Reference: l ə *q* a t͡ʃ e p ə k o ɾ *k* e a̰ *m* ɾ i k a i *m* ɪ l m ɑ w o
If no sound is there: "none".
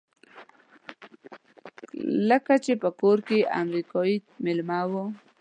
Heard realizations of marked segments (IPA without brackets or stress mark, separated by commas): k, k, m, m